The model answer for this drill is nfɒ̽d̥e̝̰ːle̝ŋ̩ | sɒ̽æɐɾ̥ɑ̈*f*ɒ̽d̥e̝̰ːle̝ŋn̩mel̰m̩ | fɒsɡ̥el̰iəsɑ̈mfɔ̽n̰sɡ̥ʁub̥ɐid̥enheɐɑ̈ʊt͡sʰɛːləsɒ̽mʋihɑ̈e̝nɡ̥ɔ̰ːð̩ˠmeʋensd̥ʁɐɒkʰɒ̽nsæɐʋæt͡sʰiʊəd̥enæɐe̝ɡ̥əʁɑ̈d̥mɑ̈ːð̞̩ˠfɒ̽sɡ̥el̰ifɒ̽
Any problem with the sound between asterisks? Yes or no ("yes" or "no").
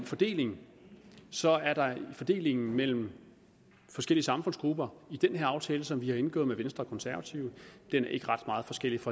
no